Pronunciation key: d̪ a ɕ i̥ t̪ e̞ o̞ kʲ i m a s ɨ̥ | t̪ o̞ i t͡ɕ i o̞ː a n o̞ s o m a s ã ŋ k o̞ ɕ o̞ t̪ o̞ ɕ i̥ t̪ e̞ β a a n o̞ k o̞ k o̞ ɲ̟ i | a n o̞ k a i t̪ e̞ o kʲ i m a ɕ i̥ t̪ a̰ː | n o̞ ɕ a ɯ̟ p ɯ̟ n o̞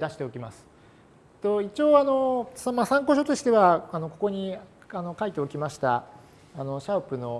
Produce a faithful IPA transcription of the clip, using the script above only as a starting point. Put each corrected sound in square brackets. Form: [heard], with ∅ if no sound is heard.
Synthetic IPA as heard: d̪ a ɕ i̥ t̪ e̞ o̞ kʲ i m a s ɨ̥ | t̪ o̞ i t͡ɕ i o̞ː a n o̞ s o m a s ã ŋ k o̞ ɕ o̞ t̪ o̞ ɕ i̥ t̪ e̞ β a a n o̞ k o̞ k o̞ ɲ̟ i | a n o̞ k a i t̪ e̞ o kʲ i m a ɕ i̥ t̪ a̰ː | n o̞ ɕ a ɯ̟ p ɯ̟ n o̞